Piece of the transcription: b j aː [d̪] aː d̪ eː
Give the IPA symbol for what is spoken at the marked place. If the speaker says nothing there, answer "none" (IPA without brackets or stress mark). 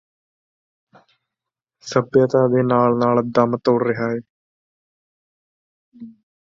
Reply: t̪